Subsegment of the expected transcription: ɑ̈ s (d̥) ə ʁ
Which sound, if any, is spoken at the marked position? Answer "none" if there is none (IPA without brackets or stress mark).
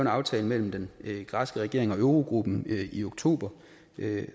ɡ̥